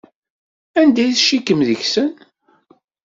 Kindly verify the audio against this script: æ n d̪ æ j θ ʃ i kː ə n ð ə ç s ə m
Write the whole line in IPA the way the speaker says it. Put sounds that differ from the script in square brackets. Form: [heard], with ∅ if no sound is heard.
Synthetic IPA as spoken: æ n d̪ æ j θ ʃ i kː ə [m] ð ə ç s ə [n]